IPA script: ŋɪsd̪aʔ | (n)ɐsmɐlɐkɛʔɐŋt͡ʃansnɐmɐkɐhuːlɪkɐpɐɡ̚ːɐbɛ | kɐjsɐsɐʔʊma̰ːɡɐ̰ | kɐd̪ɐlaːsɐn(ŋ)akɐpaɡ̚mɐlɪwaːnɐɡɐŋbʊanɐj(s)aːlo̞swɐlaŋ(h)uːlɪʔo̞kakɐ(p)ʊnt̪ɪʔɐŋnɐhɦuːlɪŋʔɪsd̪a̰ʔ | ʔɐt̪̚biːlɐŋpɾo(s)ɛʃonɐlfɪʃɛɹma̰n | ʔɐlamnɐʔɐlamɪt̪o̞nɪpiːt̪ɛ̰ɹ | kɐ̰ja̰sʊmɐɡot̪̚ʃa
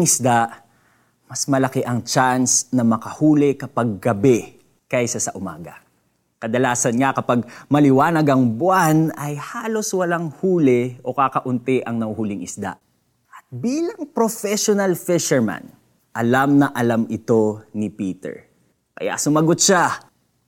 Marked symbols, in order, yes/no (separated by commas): no, yes, no, yes, no, no